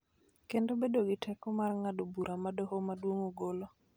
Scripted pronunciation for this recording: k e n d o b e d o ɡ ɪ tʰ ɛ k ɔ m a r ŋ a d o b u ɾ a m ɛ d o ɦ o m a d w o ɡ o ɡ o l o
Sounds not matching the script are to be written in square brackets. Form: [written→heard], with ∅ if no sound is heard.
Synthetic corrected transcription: k e n d o b e d o ɡ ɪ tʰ ɛ k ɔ m a r ŋ a d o b u ɾ a m [ɛ→a] d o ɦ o m a d w o [ɡ→ŋ] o ɡ o l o